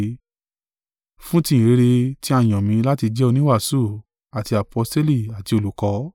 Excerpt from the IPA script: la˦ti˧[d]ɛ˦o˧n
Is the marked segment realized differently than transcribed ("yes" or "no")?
yes